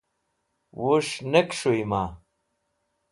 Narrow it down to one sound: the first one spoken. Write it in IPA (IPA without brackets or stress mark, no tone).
w